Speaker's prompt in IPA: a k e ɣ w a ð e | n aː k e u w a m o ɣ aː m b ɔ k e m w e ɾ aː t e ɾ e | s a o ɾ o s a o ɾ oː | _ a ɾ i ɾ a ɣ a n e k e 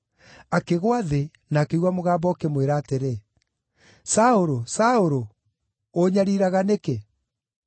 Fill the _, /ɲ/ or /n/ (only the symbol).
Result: ɲ